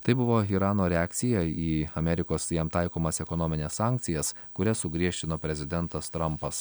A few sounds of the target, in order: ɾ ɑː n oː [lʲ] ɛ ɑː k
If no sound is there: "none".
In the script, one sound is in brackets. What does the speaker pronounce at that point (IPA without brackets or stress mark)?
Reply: ɾʲ